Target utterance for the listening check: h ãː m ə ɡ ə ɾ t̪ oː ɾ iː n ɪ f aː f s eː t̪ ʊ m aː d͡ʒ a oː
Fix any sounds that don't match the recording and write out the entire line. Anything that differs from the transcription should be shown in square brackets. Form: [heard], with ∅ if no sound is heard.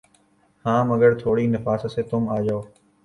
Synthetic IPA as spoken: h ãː m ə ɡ ə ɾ [t̪ʰ] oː [ɽ] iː n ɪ f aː [s] s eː t̪ ʊ m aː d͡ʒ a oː